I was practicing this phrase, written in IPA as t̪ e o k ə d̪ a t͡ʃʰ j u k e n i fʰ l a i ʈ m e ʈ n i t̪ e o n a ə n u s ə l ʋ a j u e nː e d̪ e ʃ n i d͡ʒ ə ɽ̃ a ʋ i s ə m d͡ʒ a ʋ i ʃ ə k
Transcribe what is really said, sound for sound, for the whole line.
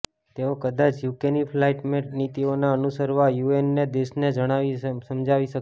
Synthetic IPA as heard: t̪ e o k ə d̪ a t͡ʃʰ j u k e n i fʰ l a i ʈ m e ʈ n i t̪ i o n a ə n u s ə ɾ ʋ a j u e nː e d̪ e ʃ n e d͡ʒ ə ɽ̃ a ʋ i s ə m d͡ʒ a ʋ i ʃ ə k